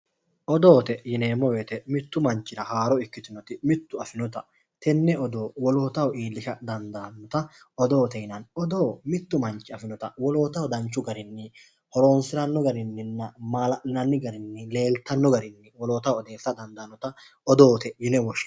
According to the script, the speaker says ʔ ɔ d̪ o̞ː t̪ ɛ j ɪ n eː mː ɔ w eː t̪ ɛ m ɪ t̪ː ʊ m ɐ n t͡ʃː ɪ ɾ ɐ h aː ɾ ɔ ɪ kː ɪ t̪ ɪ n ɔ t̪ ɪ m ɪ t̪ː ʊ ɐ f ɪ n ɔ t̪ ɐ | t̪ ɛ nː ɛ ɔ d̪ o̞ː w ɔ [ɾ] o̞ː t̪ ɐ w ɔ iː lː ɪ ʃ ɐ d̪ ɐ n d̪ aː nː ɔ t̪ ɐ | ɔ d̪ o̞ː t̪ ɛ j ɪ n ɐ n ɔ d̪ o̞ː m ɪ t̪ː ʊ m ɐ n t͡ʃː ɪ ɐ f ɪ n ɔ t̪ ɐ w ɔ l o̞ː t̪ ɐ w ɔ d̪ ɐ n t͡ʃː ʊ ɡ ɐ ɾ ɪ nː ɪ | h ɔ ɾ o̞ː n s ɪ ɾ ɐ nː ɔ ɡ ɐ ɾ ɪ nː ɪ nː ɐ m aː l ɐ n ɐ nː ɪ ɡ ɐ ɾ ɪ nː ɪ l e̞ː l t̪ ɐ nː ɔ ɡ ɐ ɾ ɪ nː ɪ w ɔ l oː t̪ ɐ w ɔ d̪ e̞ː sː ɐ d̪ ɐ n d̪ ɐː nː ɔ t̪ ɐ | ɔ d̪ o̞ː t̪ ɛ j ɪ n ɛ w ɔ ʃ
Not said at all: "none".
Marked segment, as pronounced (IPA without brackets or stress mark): l